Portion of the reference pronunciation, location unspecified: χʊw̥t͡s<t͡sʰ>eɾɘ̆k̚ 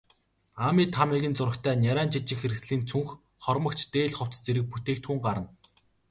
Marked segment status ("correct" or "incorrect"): incorrect